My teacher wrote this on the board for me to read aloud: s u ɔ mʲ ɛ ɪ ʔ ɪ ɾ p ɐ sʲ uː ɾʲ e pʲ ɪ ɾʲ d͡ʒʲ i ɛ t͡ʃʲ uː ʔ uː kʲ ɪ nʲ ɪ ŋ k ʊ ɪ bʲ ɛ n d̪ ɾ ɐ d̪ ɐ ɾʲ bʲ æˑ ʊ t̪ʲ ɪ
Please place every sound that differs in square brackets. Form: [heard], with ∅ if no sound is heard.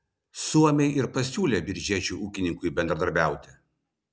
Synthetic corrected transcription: s u ɔ mʲ ɛ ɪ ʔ ɪ ɾ p ɐ sʲ uː [lʲ] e [bʲ] ɪ ɾʲ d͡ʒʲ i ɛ t͡ʃʲ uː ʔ uː kʲ ɪ nʲ ɪ ŋ k ʊ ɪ bʲ ɛ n d̪ ɾ ɐ d̪ ɐ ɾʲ bʲ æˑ ʊ t̪ʲ ɪ